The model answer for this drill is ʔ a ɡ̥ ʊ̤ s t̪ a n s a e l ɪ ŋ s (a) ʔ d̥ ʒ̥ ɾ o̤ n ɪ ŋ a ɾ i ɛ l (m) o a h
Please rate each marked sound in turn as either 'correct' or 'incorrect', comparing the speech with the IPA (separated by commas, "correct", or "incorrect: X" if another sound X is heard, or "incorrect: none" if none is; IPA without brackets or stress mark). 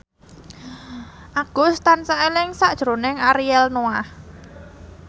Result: correct, incorrect: n